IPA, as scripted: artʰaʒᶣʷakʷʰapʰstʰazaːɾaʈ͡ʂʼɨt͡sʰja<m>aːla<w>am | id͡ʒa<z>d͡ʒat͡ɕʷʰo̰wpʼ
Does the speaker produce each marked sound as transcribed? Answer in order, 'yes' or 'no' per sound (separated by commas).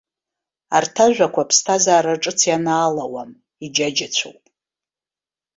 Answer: no, yes, no